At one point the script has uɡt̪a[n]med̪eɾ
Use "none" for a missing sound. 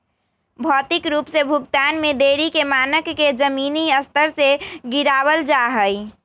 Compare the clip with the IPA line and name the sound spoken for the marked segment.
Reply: n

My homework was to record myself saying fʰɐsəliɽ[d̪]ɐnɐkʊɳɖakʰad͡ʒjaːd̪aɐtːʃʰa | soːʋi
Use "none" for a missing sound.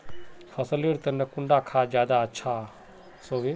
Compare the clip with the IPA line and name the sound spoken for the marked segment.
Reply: t̪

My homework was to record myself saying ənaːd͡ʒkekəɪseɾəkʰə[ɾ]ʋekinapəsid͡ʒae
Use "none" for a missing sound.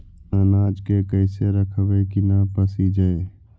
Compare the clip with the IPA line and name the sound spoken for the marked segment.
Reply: none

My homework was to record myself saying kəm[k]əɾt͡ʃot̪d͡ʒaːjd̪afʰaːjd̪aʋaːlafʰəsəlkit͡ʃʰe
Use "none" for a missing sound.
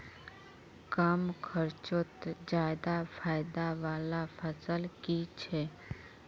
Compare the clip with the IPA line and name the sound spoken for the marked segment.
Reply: kʰ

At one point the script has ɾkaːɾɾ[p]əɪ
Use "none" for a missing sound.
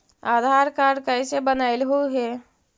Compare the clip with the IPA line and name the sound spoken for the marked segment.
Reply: k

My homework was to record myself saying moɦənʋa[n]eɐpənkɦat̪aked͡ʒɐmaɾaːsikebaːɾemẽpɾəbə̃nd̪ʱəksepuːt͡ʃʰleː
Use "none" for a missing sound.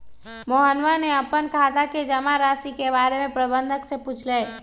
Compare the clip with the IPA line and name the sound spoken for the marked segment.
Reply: n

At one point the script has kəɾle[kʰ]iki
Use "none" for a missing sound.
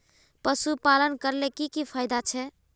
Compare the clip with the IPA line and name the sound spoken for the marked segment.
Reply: k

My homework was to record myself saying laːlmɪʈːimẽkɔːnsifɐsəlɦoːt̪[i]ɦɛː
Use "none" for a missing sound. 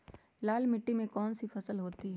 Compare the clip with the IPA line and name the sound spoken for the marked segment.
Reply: i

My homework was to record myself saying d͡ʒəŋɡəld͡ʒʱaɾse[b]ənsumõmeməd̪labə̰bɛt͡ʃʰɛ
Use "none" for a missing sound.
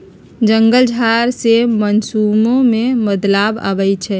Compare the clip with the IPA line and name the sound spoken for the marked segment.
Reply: m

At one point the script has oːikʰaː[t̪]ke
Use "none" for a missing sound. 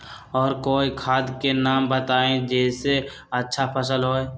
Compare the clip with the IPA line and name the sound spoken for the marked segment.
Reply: d̪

